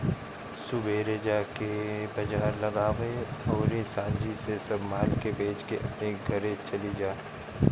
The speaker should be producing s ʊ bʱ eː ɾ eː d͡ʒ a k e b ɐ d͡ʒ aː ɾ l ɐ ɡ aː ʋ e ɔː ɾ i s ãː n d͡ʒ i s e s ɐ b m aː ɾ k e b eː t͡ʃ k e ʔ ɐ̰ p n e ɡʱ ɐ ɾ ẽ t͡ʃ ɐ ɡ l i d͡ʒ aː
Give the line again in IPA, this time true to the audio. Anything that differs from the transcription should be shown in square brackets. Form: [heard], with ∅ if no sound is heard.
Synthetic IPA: s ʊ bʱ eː ɾ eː d͡ʒ a k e b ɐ d͡ʒ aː ɾ l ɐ ɡ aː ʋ e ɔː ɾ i s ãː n d͡ʒ i s e s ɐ b m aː [l] k e b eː t͡ʃ k e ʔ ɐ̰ p n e ɡʱ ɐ ɾ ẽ t͡ʃ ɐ [∅] l i d͡ʒ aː